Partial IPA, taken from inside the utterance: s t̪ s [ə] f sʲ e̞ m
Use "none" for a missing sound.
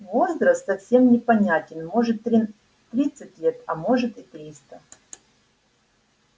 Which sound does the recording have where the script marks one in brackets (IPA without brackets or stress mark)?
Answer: ɐ